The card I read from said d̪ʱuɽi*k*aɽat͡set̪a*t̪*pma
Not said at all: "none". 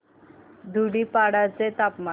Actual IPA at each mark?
p, none

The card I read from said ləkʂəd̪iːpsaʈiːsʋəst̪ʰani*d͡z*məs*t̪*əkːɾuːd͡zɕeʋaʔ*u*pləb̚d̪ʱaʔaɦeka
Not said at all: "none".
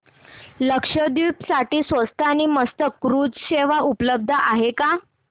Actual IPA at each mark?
none, t̪, u

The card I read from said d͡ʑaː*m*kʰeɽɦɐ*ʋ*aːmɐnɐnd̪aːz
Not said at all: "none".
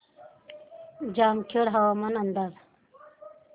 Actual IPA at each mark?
m, w

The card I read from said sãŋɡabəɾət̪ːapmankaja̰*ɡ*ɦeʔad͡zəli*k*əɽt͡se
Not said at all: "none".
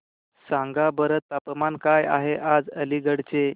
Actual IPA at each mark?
none, ɡ

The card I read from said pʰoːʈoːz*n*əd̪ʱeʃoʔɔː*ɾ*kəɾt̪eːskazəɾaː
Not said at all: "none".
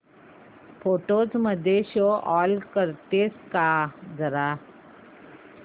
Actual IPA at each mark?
m, l

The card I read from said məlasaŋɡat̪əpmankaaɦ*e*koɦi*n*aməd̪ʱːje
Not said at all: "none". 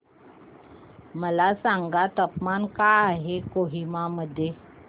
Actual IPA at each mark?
e, m

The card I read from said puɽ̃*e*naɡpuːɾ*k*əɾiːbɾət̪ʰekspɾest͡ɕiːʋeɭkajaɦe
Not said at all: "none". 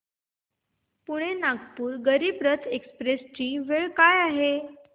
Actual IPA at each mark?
e, ɡ

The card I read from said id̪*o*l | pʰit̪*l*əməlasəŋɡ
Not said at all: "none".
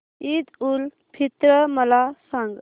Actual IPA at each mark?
u, ɾ

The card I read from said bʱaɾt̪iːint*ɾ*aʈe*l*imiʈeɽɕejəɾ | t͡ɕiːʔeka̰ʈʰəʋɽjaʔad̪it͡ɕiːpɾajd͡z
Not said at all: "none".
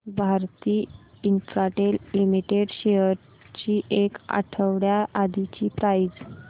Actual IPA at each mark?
ɾ, l

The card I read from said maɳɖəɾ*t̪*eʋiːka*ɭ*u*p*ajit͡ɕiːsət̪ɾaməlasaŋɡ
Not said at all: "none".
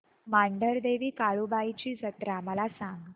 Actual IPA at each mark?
d̪, ɭ, b

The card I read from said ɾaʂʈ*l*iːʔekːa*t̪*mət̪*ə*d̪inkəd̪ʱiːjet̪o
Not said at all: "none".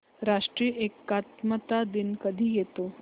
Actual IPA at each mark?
ɾ, t̪, a

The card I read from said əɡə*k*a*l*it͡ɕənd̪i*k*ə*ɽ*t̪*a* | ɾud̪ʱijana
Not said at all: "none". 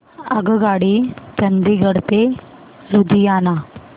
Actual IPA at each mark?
ɡ, ɽ, ɡ, ɽ, e

